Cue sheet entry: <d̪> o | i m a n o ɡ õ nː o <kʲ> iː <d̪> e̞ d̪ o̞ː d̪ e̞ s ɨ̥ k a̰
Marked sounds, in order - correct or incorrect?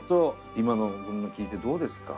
incorrect: t̪, correct, incorrect: t̪

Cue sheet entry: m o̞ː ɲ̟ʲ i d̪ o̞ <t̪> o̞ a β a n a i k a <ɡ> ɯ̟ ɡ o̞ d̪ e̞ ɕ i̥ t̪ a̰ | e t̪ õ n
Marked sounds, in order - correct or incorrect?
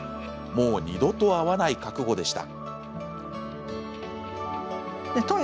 correct, incorrect: k

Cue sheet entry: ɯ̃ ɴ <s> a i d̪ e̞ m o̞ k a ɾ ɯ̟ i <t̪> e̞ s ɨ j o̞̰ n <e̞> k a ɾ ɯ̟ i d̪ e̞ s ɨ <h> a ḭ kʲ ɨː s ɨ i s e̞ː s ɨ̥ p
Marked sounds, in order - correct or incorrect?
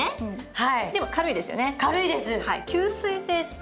incorrect: h, incorrect: d̪, correct, correct

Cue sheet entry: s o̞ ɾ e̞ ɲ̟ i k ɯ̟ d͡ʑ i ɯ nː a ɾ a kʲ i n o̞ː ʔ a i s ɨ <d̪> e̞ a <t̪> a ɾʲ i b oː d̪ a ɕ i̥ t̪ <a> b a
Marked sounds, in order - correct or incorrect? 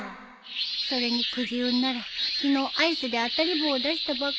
correct, correct, correct

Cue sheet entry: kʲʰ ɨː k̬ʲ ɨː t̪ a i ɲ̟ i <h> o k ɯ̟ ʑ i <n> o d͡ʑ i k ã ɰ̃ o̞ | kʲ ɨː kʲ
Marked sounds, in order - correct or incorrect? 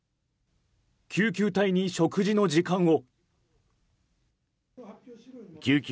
incorrect: ɕ, correct

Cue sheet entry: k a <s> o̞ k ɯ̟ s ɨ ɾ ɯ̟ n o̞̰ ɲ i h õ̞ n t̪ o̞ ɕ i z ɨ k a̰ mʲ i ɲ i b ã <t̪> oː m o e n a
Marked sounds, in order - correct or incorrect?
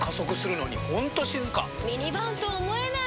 correct, correct

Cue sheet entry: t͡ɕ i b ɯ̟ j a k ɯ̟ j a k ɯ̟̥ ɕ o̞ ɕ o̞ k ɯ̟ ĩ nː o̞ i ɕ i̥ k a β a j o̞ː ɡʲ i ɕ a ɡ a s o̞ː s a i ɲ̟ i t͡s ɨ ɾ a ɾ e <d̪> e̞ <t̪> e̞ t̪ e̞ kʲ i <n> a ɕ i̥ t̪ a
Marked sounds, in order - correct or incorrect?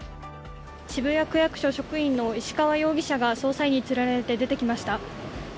incorrect: t̪, incorrect: d̪, incorrect: m

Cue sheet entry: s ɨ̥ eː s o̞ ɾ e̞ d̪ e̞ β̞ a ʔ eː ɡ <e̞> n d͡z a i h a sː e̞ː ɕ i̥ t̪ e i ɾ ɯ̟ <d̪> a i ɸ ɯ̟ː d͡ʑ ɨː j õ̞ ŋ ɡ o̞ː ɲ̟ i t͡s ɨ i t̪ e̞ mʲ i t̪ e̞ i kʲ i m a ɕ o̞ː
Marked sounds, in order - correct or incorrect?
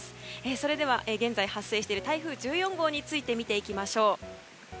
incorrect: ẽ̞, incorrect: t̪

